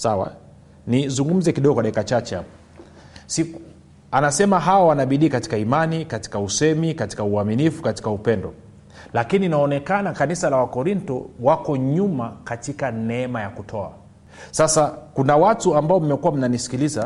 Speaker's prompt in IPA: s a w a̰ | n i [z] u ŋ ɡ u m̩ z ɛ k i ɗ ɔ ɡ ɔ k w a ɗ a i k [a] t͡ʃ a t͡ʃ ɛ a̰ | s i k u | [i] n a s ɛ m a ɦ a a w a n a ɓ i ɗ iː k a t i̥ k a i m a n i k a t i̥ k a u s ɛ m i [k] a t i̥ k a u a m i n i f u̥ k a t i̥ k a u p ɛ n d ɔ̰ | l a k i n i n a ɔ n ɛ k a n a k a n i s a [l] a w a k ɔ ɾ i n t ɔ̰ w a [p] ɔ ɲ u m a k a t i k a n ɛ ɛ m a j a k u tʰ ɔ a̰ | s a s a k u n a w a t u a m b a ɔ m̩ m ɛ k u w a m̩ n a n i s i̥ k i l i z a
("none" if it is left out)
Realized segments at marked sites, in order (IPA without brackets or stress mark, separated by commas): z, a, a, k, l, k